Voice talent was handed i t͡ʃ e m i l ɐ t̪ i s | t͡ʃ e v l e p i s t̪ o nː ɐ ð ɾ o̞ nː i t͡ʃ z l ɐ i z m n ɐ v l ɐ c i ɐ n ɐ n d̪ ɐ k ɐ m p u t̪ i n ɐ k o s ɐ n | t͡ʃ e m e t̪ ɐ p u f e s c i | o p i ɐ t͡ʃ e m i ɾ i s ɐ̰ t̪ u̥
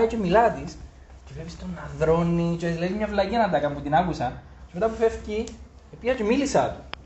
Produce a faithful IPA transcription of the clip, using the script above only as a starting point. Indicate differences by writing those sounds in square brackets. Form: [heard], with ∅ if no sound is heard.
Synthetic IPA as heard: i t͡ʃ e m i l ɐ t̪ i s | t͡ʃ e v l e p i s t̪ o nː ɐ ð ɾ o̞ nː i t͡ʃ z l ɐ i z m [ɲ] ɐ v l ɐ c i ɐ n ɐ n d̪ ɐ k ɐ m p u t̪ i n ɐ k [u] s ɐ n | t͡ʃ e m e t̪ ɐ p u f e [f] c i | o p i ɐ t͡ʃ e m i [l] i s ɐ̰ t̪ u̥